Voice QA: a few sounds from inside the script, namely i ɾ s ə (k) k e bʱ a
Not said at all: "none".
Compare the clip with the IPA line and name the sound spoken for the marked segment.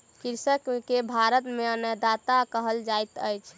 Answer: k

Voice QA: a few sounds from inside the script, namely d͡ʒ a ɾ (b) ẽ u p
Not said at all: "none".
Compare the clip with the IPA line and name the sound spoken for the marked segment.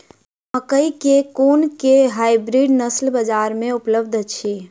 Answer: m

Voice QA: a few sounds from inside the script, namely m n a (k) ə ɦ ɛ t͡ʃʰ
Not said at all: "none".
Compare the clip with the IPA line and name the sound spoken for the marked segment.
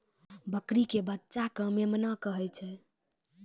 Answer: k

